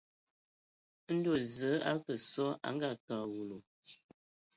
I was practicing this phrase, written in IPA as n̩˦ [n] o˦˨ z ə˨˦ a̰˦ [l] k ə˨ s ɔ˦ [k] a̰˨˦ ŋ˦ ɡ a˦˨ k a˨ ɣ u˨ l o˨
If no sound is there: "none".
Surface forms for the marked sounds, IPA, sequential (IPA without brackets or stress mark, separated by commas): d, none, none